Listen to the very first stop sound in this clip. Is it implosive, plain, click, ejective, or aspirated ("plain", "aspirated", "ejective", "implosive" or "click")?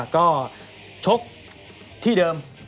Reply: plain